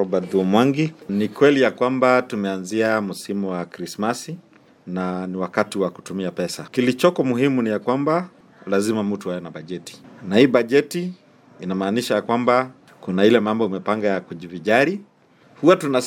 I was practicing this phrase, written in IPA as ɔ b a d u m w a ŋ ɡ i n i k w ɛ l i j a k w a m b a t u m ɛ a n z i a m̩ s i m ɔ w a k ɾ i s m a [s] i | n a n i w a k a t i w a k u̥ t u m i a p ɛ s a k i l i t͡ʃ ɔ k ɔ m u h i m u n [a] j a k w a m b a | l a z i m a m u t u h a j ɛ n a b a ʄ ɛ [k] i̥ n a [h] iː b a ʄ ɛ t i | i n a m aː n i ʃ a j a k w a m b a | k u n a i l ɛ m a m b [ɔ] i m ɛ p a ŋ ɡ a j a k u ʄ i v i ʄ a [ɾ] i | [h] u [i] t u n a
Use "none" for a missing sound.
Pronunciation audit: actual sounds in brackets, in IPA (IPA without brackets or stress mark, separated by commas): s, i, t, h, ɔ, ɾ, h, a